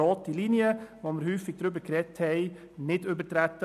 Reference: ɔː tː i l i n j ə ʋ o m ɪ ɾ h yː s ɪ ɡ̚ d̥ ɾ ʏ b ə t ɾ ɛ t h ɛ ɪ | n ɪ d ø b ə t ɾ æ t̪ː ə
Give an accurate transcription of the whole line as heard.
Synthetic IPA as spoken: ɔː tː i l i n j ə ʋ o m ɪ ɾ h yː f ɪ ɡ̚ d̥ ɾ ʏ b ə k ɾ ɛ t h ɛ ɪ | n ɪ d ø b ə t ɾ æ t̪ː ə